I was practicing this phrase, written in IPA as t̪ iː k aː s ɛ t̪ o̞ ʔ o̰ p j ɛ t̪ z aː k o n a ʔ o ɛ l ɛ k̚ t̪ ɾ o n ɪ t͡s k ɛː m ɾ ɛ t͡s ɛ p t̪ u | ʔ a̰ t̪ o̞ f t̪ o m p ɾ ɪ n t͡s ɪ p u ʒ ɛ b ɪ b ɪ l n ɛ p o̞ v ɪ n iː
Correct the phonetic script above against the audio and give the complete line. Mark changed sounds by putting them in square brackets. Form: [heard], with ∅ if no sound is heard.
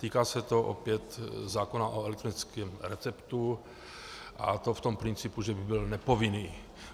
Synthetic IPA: t̪ iː k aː s ɛ t̪ o̞ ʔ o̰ p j ɛ t̪ z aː k o n a ʔ o ɛ l ɛ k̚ t̪ ɾ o n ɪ t͡s k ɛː m ɾ ɛ t͡s ɛ p t̪ u | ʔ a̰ t̪ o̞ f t̪ o m p ɾ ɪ n t͡s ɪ p u ʒ ɛ b ɪ b ɪ l n ɛ p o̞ v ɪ n iː